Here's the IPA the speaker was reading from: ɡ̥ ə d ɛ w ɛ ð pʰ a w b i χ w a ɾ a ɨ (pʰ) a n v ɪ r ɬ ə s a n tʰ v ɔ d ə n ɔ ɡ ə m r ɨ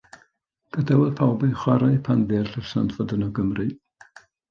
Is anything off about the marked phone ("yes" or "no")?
no